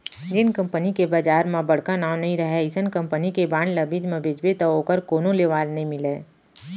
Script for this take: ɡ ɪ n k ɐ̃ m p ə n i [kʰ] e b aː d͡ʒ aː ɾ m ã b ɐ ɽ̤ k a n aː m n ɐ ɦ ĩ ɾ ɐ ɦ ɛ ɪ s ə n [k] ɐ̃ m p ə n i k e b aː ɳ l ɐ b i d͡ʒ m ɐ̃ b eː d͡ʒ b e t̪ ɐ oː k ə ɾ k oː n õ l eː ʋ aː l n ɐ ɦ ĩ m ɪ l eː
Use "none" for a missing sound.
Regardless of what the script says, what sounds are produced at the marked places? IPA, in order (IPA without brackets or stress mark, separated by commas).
k, k